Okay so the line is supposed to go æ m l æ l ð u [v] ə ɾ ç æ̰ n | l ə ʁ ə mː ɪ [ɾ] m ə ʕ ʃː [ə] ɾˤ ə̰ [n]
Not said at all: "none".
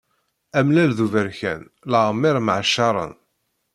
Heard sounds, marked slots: v, ɾ, ɑ, n

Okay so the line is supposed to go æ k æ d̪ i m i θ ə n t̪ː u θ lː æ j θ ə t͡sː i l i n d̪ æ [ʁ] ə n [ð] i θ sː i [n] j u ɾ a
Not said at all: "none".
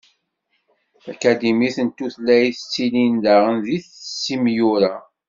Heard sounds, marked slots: ʁ, ð, m

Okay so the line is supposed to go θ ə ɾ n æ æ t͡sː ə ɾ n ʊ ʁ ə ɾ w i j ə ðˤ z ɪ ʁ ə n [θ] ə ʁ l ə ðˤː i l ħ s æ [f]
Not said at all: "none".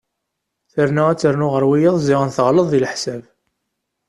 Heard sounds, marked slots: θ, v

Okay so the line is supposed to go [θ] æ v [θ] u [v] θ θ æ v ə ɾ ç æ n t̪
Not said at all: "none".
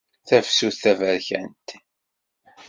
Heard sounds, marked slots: θ, s, none

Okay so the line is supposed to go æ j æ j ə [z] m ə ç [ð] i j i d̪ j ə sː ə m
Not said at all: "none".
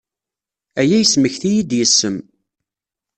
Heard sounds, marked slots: s, θ

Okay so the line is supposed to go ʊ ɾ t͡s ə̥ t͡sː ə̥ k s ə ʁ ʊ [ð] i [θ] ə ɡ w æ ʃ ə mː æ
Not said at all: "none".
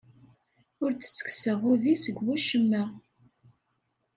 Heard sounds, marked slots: ð, s

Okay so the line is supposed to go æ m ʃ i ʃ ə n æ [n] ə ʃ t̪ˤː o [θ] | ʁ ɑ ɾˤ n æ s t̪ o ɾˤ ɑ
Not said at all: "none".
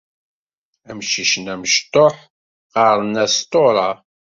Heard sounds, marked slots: m, ħ

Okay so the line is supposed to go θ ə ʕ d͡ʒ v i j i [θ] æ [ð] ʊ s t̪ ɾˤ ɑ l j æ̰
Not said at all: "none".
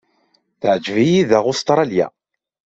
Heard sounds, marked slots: ð, ʁ

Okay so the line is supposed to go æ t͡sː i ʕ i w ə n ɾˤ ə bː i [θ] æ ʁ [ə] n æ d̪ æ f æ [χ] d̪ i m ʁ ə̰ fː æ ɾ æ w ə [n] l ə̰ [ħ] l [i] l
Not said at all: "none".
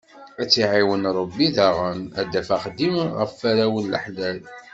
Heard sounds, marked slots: ð, ə, χ, n, ħ, æ

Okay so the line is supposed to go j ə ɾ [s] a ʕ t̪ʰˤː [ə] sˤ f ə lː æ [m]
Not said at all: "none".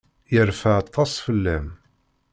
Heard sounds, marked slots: f, ɑ, m

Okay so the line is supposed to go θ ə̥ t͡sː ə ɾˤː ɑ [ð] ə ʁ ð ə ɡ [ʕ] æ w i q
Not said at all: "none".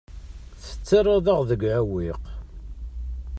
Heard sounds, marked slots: ð, ʕ

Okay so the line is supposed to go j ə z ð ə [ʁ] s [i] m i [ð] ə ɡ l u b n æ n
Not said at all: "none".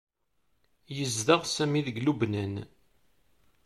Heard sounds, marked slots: ʁ, æ, ð

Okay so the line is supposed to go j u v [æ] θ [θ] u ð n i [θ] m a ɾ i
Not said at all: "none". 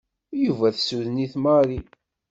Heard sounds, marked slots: æ, s, θ

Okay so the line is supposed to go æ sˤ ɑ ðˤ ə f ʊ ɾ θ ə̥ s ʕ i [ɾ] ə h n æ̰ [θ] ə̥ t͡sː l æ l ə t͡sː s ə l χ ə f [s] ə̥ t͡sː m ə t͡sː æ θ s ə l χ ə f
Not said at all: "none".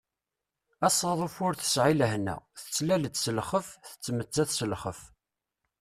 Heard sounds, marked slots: l, θ, θ

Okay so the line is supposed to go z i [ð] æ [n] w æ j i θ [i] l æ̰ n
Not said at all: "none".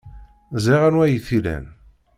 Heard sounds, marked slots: ʁ, n, i

